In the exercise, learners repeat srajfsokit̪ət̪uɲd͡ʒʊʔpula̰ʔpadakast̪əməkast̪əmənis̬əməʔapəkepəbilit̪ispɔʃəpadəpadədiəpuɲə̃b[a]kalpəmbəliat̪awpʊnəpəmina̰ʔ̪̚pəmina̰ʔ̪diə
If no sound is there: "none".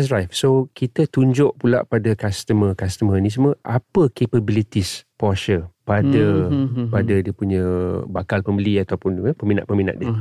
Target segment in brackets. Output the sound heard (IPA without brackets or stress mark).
a